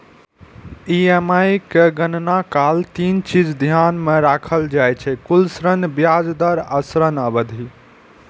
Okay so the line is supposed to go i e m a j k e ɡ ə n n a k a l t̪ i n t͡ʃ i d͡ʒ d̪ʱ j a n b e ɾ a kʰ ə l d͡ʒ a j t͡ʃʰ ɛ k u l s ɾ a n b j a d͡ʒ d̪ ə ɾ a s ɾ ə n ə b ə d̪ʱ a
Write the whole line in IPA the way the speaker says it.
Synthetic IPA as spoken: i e m a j k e ɡ ə n n a k a l t̪ i n t͡ʃ i d͡ʒ d̪ʱ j a n m e ɾ a kʰ ə l d͡ʒ a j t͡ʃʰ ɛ k u l s ɾ ə n b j a d͡ʒ d̪ ə ɾ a s ɾ ə n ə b ə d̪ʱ i